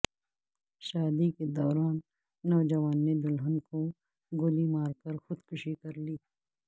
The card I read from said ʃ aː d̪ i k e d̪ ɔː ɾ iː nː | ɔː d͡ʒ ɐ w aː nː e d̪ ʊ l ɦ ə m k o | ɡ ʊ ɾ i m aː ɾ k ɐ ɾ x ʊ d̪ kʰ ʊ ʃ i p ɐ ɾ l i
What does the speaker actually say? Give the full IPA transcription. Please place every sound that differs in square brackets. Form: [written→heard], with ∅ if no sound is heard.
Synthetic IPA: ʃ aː d̪ i k e d̪ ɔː ɾ [iː→aː] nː | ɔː d͡ʒ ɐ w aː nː e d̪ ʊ l ɦ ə [m→n] k o | ɡ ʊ [ɾ→l] i m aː ɾ k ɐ ɾ x ʊ d̪ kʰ ʊ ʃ i [p→k] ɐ ɾ l [i→iː]